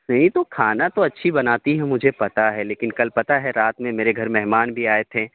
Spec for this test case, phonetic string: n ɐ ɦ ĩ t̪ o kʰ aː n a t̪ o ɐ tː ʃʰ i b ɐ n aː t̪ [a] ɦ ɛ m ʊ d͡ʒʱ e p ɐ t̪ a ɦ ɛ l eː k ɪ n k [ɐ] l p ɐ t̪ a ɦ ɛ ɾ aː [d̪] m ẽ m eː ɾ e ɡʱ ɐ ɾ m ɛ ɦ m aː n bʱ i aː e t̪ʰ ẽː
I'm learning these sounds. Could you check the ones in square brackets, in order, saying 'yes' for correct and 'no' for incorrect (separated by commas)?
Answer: no, yes, no